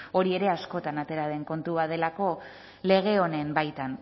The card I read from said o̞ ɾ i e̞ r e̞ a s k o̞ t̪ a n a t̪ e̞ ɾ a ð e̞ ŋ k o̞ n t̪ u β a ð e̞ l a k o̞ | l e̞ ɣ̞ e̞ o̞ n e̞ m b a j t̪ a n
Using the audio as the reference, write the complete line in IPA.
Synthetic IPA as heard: o̞ ɾ i e̞ ɾ e̞ a s k o̞ t̪ a n a t̪ e̞ ɾ a ð e̞ ŋ k o̞ n t̪ u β a ð e̞ l a k o̞ | l e̞ ɣ̞ e̞ o̞ n e̞ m b a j t̪ a n